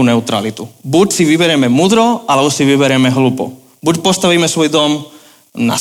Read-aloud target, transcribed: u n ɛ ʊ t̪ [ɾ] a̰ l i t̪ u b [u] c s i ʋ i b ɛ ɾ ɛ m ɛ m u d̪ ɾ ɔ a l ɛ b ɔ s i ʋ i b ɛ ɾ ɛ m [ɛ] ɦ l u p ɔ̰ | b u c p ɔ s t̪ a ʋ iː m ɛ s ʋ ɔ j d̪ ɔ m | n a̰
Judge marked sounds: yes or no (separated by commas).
yes, yes, yes